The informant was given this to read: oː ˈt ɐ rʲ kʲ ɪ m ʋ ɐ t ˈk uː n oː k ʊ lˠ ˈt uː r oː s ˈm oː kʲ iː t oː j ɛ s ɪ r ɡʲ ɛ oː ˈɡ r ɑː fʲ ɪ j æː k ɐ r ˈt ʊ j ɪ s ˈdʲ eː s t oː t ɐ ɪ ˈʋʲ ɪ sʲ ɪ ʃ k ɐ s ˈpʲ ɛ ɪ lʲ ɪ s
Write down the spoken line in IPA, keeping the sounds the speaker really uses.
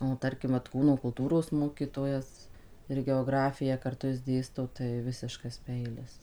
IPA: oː ˈt ɐ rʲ kʲ ɪ m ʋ ɐ t ˈk uː n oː k ʊ lˠ ˈt uː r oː s ˈm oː kʲ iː t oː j ɛ s ɪ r ɡʲ ɛ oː ˈɡ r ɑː fʲ ɪ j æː k ɐ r ˈt ʊ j ɪ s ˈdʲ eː s t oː t ɐ ɪ ˈʋʲ ɪ sʲ ɪ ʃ k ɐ s ˈpʲ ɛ ɪ lʲ ɪ s